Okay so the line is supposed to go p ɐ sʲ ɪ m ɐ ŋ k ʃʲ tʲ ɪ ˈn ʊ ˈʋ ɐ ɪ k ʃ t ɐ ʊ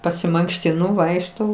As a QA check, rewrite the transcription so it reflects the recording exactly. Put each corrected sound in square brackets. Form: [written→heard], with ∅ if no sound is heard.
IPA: p ɐ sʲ ɪ m ɐ ŋ k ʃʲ tʲ ɪ ˈn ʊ ˈʋ ɐ ɪ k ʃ t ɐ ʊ